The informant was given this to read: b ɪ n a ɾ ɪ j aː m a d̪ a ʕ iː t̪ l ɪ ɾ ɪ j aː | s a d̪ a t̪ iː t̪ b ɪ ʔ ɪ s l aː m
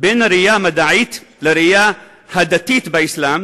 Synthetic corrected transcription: b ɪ n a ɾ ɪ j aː m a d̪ a ʕ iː t̪ l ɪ ɾ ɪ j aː | h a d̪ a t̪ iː t̪ b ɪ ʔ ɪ s l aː m